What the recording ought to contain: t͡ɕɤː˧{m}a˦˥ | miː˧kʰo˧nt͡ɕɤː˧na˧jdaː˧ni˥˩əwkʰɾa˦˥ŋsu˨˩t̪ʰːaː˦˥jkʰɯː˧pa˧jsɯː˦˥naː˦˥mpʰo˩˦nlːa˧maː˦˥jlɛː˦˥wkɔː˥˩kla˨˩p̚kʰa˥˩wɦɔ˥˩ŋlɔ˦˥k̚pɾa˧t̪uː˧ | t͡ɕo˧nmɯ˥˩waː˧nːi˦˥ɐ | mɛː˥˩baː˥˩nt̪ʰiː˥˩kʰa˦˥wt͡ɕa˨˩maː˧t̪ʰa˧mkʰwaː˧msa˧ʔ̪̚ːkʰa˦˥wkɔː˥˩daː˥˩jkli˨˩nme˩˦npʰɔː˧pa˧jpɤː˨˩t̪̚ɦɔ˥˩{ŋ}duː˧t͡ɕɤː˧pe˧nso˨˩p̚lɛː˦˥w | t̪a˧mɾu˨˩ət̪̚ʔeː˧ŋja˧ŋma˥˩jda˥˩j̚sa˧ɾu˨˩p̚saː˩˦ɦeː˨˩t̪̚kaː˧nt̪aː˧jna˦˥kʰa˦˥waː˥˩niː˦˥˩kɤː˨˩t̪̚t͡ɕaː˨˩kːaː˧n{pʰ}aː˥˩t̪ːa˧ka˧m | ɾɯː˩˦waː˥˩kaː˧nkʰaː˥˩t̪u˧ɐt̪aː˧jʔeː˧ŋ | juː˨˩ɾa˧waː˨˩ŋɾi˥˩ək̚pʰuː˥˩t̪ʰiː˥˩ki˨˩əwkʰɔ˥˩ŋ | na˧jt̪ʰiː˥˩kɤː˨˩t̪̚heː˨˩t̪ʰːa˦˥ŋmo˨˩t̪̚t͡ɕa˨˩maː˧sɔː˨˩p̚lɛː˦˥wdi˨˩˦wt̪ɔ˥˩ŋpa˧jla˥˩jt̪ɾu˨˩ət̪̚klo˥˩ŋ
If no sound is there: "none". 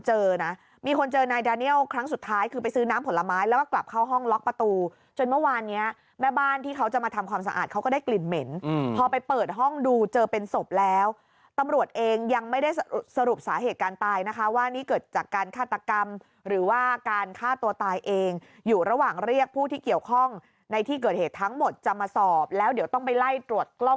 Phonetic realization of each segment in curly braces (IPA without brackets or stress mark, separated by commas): n, ŋ, kʰ